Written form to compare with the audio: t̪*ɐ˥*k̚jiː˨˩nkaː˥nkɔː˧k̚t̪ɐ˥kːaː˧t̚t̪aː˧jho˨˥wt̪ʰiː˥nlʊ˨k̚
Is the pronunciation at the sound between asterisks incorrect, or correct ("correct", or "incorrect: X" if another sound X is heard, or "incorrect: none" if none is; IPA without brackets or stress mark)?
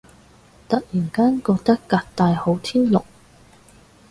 incorrect: ɐ˨